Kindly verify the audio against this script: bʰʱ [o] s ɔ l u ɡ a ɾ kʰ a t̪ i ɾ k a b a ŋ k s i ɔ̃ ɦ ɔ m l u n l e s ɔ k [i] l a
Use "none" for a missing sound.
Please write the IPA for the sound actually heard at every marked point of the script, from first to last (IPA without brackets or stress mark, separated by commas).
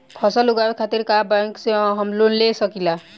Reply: ɔ, i